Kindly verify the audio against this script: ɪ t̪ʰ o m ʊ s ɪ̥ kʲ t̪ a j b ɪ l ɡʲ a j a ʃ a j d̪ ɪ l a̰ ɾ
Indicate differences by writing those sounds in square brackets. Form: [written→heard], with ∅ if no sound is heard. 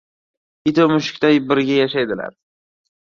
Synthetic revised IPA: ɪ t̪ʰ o m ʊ [s→ʃ] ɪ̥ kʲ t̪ a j b ɪ [l→ɾ] ɡʲ a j a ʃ a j d̪ ɪ l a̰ ɾ